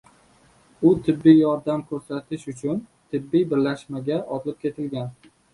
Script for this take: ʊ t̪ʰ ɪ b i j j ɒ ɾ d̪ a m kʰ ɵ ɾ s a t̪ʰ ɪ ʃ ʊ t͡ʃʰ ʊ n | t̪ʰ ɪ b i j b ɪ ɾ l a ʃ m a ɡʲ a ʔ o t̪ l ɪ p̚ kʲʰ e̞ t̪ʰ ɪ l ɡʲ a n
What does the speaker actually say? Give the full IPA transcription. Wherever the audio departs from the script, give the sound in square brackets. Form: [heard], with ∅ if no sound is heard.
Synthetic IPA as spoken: ʊ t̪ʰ ɪ [bː] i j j ɒ ɾ d̪ a m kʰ ɵ ɾ s a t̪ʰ ɪ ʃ ʊ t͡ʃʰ ʊ n | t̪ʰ ɪ [bː] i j b ɪ ɾ l a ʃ m a ɡʲ a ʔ [ɒ] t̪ l ɪ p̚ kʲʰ e̞ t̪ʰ ɪ l ɡʲ a n